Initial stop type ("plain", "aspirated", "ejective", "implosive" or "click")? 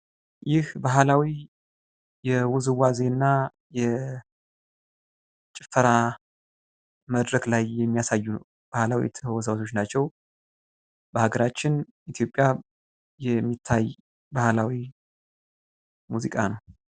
plain